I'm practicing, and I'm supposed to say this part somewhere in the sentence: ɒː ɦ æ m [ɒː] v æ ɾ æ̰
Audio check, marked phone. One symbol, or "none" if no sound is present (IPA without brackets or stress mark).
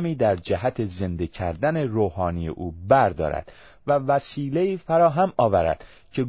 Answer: ɒː